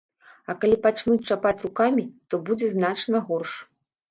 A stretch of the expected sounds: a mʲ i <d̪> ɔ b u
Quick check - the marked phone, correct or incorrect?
incorrect